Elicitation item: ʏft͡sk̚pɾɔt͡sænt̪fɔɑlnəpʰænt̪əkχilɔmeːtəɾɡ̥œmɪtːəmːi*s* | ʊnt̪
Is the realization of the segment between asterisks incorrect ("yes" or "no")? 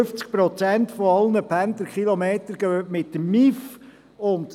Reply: yes